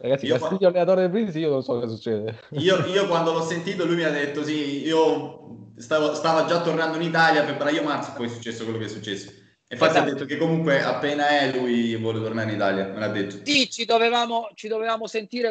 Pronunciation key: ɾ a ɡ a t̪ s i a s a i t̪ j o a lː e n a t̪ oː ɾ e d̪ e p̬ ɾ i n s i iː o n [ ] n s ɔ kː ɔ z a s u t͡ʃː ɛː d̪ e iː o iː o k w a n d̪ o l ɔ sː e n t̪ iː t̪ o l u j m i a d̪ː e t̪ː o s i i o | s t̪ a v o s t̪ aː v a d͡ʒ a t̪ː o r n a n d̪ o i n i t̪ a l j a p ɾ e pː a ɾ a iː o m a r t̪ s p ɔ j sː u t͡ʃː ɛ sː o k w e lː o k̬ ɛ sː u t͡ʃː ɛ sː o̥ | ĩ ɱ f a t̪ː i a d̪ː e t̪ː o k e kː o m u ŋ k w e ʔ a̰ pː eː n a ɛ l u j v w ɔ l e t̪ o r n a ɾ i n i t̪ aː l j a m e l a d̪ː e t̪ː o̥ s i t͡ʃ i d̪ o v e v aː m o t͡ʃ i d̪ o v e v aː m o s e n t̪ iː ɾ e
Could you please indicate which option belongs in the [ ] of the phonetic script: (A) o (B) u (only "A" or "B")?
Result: A